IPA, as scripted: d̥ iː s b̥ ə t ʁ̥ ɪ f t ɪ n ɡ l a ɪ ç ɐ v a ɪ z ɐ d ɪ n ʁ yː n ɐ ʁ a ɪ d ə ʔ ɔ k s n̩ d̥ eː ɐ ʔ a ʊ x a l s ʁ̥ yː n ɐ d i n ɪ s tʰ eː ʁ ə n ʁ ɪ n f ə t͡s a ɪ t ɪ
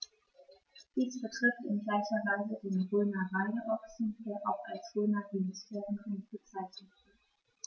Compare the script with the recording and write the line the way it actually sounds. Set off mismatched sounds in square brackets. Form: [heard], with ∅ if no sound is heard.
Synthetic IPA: d̥ iː s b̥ ə t ʁ̥ ɪ f t ɪ n ɡ l a ɪ ç ɐ v a ɪ z [ə] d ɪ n ʁ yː n ɐ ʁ a ɪ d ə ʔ ɔ k s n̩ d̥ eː ɐ ʔ a ʊ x a l s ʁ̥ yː n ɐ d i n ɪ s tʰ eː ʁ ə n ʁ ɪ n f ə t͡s a ɪ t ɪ